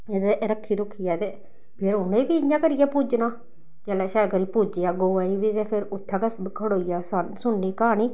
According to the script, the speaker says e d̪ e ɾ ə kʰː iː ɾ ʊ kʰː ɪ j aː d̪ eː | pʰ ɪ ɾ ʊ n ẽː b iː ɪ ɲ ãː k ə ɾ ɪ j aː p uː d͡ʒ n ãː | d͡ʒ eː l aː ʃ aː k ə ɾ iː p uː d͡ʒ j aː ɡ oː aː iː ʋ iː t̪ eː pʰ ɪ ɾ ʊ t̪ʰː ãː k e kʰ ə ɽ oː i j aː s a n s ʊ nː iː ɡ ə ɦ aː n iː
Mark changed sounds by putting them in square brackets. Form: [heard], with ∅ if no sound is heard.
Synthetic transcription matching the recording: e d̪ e ɾ ə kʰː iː ɾ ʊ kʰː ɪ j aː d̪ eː | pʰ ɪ ɾ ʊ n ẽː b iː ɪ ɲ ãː k ə ɾ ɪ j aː p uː d͡ʒ n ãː | d͡ʒ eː l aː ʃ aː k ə ɾ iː p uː d͡ʒ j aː ɡ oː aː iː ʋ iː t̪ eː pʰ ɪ ɾ ʊ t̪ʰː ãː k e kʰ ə ɽ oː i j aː s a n s ʊ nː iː [k] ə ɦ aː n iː